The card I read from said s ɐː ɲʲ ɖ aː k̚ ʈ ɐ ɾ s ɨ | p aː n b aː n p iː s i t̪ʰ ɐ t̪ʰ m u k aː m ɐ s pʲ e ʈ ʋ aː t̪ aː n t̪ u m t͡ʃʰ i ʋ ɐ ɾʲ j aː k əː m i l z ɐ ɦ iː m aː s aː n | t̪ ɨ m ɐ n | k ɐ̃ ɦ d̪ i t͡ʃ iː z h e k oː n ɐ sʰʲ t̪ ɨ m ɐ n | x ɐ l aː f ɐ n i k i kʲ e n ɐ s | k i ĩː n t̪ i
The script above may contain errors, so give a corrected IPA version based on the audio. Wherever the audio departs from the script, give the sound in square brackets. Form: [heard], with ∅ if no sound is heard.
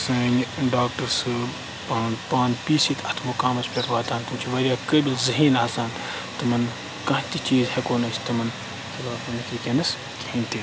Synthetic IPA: s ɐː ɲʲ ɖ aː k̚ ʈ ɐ ɾ s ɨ | p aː n [p] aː n p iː s i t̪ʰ ɐ t̪ʰ m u k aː m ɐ s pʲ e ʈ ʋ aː t̪ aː n t̪ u m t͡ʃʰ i ʋ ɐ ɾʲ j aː k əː [b] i l z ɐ ɦ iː [n] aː s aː n | t̪ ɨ m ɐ n | k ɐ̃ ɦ [t̪] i t͡ʃ iː z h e k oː n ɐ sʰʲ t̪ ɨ m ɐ n | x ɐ l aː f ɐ n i k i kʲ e n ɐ s | k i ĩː n t̪ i

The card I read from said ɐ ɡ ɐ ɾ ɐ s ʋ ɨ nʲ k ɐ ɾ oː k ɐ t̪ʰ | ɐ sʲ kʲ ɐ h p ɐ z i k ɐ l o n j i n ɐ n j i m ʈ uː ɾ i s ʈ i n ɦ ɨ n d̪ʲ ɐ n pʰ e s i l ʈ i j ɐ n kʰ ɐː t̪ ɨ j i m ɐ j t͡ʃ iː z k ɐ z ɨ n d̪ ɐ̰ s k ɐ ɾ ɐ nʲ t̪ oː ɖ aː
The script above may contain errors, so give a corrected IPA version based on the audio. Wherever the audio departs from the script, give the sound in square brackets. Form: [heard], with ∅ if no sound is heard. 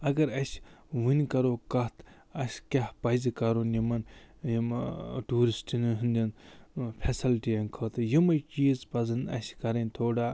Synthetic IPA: ɐ ɡ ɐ ɾ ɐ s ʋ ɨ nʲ k ɐ ɾ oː k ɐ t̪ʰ | ɐ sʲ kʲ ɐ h p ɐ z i k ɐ [ɾ] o n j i [m] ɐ n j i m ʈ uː ɾ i s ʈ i n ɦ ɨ n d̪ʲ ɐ n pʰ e s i l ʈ i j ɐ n kʰ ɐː t̪ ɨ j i m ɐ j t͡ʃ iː z [p] ɐ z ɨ n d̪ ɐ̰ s k ɐ ɾ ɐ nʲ [t̪ʰ] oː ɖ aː

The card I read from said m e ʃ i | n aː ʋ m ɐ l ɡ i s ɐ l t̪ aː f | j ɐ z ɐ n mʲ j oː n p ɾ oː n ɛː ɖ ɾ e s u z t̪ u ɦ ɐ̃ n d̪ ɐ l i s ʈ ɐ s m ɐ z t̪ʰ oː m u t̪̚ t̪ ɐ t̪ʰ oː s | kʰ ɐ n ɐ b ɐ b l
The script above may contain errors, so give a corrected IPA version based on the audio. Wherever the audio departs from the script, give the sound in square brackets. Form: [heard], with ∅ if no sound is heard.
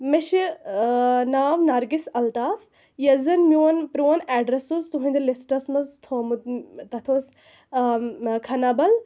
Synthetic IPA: m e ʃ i | n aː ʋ [n] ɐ [ɾ] ɡ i s ɐ l t̪ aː f | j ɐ z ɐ n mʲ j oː n p ɾ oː n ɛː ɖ ɾ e s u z t̪ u ɦ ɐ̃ n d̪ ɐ l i s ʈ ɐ s m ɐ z t̪ʰ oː m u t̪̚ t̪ ɐ t̪ʰ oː s | kʰ ɐ n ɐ b ɐ [∅] l

